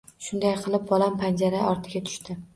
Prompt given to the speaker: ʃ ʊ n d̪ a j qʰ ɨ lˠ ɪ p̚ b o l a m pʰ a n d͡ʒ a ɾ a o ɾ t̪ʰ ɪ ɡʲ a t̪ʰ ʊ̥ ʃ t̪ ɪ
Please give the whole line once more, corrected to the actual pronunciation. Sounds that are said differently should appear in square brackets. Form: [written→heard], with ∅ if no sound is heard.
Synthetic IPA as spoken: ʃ ʊ n d̪ a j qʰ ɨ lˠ ɪ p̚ b [o→ɒ] l a m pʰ a n d͡ʒ a ɾ a [o→ɒ] ɾ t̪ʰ ɪ ɡʲ a t̪ʰ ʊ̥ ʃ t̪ ɪ